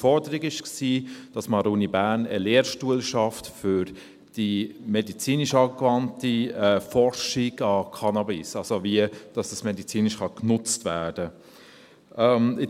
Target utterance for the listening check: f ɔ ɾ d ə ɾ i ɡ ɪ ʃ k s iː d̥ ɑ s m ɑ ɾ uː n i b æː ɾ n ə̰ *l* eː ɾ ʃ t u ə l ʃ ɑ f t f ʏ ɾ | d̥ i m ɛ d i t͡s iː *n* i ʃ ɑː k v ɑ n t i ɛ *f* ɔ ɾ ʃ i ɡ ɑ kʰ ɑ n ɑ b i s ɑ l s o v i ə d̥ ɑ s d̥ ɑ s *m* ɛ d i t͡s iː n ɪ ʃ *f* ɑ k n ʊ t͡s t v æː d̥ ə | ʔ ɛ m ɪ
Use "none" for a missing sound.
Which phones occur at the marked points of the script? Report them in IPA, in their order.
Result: l, n, f, m, χ

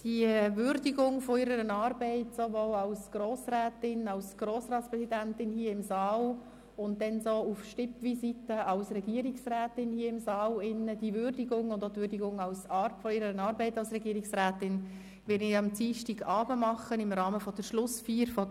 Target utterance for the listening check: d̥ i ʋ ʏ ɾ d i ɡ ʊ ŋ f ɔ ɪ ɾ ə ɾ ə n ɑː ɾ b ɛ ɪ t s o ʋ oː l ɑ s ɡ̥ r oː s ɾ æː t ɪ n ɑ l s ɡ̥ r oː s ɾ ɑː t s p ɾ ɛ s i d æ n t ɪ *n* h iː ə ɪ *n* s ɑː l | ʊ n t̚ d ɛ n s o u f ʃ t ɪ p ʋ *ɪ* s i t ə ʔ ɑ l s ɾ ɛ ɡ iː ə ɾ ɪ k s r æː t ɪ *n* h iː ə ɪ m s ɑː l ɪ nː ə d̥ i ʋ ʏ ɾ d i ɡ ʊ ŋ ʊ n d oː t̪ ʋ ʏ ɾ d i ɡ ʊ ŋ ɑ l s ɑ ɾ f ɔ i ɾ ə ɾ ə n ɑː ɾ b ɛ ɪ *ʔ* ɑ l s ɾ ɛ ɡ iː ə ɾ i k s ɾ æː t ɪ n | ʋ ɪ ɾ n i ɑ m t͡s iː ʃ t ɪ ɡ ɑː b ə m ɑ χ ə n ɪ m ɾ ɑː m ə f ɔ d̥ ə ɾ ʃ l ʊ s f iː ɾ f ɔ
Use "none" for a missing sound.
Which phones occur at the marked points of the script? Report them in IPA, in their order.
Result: n, m, i, n, t

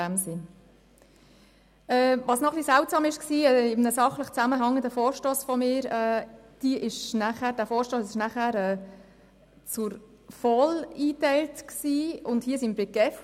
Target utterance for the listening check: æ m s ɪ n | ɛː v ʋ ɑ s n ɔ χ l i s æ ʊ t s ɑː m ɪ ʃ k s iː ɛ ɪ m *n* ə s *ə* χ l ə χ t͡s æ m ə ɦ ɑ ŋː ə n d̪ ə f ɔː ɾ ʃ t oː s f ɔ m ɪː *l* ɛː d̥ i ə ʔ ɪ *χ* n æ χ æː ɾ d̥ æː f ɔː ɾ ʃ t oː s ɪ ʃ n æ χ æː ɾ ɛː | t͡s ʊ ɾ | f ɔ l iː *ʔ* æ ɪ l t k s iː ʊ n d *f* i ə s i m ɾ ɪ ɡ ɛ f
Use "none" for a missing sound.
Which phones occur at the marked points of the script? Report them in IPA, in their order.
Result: n, ɑ, ɾ, ʃ, t, h

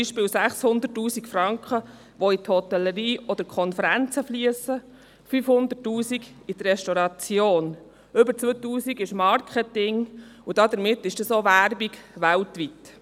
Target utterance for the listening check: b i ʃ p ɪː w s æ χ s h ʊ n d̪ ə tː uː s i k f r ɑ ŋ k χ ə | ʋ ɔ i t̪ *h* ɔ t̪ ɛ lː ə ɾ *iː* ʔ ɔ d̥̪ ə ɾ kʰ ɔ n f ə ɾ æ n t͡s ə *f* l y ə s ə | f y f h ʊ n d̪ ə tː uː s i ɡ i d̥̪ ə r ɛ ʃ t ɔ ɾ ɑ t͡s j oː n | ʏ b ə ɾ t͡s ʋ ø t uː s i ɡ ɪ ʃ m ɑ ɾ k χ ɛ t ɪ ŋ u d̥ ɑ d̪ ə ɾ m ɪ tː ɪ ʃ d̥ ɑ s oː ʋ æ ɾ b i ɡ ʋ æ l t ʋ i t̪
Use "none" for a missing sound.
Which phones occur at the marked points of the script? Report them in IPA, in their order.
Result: h, iː, f

